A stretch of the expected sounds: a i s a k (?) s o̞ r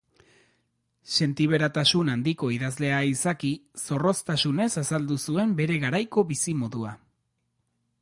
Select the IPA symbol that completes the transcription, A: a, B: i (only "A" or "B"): B